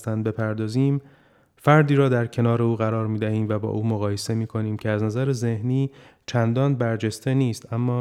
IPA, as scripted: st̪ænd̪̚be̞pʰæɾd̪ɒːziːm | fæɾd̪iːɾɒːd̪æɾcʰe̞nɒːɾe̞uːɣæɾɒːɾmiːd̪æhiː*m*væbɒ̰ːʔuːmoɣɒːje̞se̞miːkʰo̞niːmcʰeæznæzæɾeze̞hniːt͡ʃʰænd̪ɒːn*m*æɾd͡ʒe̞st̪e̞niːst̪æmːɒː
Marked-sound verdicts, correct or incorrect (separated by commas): correct, incorrect